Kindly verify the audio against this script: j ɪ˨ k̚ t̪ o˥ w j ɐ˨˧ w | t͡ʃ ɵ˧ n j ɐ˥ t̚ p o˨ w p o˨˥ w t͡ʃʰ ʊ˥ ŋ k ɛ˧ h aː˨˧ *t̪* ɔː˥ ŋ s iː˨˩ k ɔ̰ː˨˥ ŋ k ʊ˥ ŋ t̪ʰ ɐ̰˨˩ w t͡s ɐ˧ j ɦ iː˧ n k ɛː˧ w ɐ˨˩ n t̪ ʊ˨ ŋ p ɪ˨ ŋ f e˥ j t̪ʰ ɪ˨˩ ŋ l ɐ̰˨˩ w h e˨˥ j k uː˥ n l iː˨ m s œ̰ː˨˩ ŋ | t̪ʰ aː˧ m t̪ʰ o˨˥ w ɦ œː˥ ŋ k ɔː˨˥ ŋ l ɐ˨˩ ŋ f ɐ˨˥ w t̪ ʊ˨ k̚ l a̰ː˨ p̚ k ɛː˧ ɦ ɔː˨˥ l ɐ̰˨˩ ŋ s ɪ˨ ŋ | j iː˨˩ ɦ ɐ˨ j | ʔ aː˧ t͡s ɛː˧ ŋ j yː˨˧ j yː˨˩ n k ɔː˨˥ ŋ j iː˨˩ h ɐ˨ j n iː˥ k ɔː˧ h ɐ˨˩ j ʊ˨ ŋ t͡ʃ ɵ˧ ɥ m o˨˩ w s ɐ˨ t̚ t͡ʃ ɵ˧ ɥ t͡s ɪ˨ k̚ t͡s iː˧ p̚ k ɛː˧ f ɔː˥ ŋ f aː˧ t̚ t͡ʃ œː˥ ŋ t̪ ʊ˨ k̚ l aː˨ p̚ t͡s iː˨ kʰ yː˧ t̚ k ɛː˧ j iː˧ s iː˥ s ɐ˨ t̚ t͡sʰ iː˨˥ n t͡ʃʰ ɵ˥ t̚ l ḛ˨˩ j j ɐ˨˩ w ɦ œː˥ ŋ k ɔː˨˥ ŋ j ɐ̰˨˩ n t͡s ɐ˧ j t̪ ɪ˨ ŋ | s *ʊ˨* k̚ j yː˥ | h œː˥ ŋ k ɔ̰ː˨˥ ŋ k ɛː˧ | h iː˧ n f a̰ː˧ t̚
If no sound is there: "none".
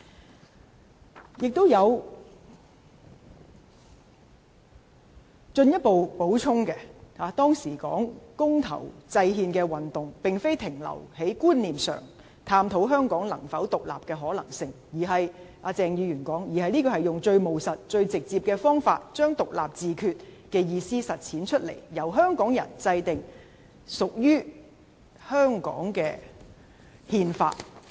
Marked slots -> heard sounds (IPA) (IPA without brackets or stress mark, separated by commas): t̪, ʊ˨